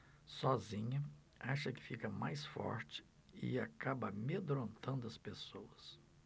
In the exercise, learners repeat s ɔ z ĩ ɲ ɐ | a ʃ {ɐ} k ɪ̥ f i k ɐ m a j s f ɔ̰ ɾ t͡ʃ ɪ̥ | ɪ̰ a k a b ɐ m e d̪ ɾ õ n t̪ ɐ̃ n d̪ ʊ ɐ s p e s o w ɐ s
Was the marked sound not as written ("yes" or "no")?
no